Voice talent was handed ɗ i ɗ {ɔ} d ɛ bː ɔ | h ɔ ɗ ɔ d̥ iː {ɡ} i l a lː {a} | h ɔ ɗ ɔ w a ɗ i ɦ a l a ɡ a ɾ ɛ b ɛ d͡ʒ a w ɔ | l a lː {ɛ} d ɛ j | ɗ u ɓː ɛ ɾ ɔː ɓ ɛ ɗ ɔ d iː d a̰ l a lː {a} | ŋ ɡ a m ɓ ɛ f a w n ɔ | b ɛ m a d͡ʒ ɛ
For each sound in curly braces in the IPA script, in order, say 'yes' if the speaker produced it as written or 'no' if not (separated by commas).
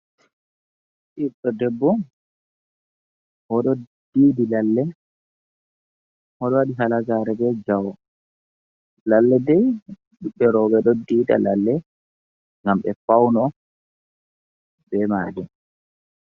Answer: yes, no, no, yes, no